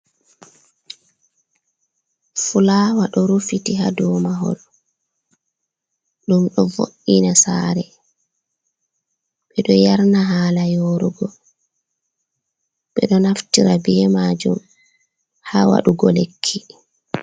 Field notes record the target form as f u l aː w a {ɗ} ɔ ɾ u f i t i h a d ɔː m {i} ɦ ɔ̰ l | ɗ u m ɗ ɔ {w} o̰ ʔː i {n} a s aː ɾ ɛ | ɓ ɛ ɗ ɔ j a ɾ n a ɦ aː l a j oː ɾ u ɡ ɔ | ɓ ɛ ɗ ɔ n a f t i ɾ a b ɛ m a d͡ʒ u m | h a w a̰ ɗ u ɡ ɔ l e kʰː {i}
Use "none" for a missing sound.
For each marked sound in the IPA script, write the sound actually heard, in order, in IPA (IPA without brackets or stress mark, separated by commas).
ɗ, a, v, n, i